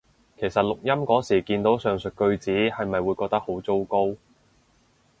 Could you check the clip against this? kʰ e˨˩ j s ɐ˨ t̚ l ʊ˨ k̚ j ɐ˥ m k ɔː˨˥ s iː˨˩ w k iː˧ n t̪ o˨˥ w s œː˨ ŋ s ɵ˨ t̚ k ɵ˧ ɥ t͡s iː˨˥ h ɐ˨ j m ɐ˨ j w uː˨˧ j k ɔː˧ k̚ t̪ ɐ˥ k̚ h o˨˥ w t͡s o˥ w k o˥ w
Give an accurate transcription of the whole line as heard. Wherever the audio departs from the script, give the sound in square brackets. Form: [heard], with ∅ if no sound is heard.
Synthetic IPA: kʰ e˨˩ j s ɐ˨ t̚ l ʊ˨ k̚ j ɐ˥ m k ɔː˨˥ s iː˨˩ [∅] k iː˧ n t̪ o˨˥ w s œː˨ ŋ s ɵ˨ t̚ k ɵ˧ ɥ t͡s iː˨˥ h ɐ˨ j m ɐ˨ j w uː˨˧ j k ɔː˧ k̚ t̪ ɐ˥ k̚ h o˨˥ w t͡s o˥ w k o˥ w